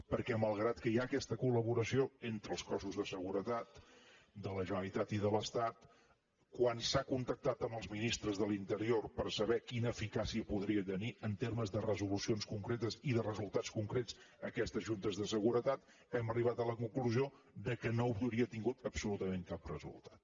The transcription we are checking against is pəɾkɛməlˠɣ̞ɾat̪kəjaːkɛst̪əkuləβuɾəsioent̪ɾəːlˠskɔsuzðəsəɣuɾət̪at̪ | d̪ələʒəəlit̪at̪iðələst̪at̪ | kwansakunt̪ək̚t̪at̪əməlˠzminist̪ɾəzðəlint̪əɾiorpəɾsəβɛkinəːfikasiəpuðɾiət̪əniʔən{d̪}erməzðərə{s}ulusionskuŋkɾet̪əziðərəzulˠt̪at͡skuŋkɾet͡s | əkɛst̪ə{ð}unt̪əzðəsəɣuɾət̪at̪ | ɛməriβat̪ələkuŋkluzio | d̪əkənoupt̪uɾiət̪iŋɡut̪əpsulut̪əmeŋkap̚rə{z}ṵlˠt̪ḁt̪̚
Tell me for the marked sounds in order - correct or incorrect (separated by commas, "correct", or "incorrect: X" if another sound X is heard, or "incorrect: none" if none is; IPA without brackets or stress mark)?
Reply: incorrect: t̪, incorrect: z, incorrect: ʒ, correct